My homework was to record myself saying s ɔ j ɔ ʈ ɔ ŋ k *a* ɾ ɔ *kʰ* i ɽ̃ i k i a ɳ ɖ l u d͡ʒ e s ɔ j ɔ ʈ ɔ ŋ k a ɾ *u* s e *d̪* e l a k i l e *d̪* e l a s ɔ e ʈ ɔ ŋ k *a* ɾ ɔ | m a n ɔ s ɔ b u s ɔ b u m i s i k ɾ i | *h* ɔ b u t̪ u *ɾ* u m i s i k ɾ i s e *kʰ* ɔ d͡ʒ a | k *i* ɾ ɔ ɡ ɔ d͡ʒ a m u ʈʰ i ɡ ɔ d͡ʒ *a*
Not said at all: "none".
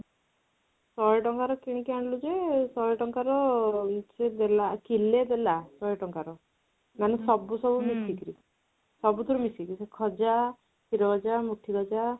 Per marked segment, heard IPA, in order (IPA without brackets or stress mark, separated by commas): a, k, ɔ, d̪, d̪, a, s, ɾ, kʰ, i, a